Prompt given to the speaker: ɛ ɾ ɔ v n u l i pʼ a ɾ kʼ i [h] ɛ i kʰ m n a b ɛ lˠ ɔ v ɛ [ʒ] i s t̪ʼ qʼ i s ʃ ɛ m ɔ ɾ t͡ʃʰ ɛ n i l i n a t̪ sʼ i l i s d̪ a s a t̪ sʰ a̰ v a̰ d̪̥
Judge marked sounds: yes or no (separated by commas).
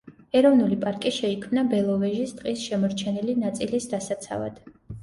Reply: no, yes